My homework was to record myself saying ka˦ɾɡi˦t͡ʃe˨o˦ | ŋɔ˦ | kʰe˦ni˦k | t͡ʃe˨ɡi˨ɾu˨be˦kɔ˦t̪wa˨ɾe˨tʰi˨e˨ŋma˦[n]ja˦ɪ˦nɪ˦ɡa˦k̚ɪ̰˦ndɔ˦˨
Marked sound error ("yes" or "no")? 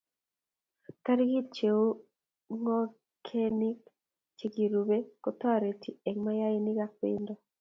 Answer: yes